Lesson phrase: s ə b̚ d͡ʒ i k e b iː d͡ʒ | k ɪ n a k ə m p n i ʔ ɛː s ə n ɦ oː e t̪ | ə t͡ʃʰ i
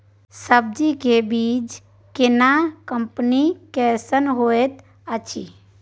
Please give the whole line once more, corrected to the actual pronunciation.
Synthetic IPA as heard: s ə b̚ d͡ʒ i k e b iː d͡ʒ | k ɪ n a k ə m p n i k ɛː s ə n ɦ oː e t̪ | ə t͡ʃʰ i

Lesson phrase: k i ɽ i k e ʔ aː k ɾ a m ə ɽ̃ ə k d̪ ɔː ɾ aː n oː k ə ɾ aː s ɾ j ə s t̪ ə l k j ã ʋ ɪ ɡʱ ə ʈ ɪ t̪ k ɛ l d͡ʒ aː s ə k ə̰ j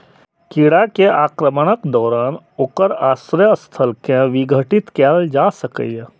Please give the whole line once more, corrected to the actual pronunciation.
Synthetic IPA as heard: k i ɽ a k e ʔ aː k ɾ ə m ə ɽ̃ ə k d̪ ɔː ɾ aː n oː k ə ɾ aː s ɾ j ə s t̪ʰ ə l k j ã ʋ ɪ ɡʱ ə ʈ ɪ t̪ k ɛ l d͡ʒ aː s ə k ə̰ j

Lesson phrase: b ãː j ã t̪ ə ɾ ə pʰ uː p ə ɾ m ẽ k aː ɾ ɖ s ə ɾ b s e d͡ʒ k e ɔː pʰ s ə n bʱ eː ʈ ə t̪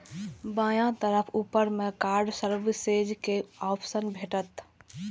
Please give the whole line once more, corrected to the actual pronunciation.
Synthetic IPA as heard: b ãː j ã t̪ ə ɾ ə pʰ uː p ə ɾ m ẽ k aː ɾ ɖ s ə ɾ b s e d͡ʒ k e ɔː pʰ s ə n bʱ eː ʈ ə t̪

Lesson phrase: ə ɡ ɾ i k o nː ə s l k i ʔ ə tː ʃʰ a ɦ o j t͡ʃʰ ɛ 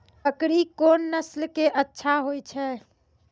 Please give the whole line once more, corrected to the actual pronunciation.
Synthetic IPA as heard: ə k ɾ i k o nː ə s l k e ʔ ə tː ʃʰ a ɦ o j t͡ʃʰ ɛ

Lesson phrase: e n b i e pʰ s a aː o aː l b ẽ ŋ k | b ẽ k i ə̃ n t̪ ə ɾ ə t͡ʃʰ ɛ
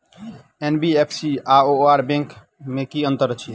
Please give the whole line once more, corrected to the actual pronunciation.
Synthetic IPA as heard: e n b i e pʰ s i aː o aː ɾ b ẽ ŋ k | m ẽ k i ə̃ n t̪ ə ɾ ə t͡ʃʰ i

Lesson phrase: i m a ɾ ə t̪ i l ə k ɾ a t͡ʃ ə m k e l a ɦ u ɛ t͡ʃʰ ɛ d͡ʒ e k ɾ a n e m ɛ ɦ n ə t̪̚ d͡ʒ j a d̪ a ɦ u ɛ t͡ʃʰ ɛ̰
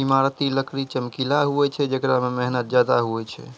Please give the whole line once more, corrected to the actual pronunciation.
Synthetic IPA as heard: i m a ɾ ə t̪ i l ə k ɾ i t͡ʃ ə m k i l a ɦ u ɛ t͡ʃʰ ɛ d͡ʒ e k ɾ a m e m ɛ ɦ n ə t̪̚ d͡ʒ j a d̪ a ɦ u ɛ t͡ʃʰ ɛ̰

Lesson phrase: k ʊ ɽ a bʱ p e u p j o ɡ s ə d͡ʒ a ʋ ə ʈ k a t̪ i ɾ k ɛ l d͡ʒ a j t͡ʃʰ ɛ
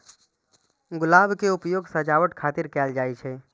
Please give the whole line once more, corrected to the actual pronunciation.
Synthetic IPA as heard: ɡ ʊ l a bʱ k e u p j o ɡ s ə d͡ʒ a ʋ ə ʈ kʰ a t̪ i ɾ k ɛ l d͡ʒ a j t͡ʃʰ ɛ

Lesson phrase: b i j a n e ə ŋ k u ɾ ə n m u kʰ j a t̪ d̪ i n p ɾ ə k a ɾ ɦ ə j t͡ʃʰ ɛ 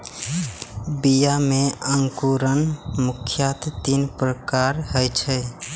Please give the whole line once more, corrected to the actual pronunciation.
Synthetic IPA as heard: b i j a m e ə ŋ k u ɾ ə n m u kʰ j a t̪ t̪ i n p ɾ ə k a ɾ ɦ ə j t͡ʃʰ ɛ

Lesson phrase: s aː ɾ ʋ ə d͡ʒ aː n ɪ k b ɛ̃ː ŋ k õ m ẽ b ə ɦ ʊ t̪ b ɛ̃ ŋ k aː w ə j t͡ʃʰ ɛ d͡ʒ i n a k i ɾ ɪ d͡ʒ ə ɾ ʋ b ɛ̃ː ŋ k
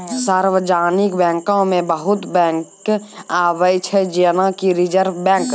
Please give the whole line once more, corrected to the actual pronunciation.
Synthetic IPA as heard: s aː ɾ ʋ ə d͡ʒ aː n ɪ k b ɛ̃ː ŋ k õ m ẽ b ə ɦ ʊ t̪ b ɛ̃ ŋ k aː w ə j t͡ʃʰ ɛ d͡ʒ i n a k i ɾ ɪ d͡ʒ ə ɾ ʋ b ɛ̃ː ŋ k

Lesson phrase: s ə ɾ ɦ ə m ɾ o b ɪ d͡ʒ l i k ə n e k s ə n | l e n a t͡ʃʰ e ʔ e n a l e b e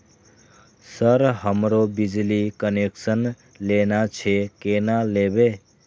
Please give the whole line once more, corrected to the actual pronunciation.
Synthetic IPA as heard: s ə ɾ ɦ ə m ɾ o b i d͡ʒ l i k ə n e k s ə n | l e n a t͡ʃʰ e k e n a l e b e

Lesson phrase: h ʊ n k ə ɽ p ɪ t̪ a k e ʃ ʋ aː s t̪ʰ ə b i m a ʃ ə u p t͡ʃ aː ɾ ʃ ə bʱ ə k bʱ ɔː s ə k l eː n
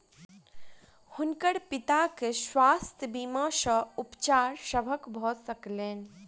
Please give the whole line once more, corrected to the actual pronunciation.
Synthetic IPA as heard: h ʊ n k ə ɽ p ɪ t̪ a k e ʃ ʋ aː s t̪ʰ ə b i m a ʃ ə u p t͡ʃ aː ɾ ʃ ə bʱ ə k bʱ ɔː s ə k l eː n

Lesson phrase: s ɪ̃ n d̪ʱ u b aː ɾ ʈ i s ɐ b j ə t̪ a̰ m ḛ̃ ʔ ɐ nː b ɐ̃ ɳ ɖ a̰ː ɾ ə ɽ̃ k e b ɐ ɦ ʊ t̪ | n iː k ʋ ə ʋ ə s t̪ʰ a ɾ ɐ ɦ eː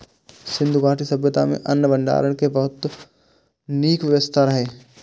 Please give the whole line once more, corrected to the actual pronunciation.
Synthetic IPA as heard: s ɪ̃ n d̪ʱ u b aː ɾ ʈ i s ɐ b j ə t̪ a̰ m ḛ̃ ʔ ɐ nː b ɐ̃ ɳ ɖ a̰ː ɾ ə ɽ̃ k e b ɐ ɦ ʊ t̪ | n iː k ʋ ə ʋ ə s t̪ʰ a ɾ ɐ ɦ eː

